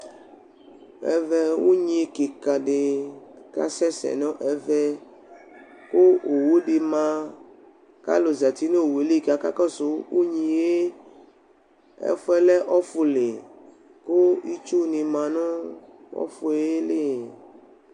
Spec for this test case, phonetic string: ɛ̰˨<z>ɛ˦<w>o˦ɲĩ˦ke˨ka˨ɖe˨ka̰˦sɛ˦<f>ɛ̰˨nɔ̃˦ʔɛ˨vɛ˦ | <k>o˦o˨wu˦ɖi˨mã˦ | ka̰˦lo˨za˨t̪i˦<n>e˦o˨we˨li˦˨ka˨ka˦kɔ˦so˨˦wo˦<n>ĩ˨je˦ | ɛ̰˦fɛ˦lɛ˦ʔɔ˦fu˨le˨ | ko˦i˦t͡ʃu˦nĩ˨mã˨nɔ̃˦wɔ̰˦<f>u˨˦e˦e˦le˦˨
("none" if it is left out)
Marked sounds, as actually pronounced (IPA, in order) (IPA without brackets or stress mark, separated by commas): v, w, s, k, n, ɲ, f